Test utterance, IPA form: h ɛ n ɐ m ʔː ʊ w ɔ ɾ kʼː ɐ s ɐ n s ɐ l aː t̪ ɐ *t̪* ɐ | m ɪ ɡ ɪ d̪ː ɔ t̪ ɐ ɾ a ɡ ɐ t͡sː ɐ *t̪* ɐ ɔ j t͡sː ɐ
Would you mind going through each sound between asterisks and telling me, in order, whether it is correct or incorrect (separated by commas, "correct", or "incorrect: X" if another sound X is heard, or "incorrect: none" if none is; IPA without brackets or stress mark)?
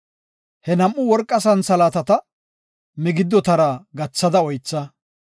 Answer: correct, incorrect: d̪